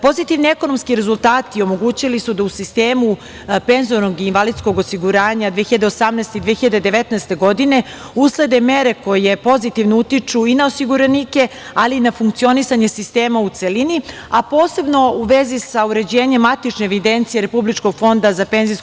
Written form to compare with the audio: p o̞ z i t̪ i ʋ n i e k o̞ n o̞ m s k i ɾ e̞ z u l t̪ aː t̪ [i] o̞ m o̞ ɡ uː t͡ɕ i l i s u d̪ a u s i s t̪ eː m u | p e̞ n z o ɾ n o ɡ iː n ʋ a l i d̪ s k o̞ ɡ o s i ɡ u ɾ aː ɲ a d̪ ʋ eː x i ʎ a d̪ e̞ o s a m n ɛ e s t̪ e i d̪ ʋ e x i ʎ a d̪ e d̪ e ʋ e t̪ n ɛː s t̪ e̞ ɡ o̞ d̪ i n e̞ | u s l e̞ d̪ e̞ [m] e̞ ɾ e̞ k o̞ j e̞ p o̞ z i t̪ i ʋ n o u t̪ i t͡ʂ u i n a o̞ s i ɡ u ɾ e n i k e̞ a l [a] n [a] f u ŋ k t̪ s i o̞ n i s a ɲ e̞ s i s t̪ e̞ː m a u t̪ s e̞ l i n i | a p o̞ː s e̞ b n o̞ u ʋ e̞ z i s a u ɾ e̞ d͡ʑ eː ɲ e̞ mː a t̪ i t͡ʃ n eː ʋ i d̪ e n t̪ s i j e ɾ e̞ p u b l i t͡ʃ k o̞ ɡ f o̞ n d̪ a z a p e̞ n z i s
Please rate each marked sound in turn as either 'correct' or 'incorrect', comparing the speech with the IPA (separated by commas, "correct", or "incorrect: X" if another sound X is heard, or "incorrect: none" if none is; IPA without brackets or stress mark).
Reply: correct, correct, incorrect: i, correct